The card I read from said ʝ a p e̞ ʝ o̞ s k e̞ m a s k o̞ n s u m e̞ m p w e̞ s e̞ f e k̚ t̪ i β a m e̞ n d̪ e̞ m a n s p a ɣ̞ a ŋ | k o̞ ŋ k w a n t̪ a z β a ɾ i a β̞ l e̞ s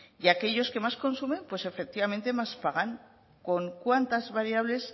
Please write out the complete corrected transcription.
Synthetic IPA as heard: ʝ a k e̞ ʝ o̞ s k e̞ m a s k o̞ n s u m e̞ m p w e̞ s e̞ f e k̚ t̪ i β a m e̞ n t̪ e̞ m a s p a ɣ̞ a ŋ | k o̞ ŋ k w a n t̪ a z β a ɾ i a β̞ l e̞ s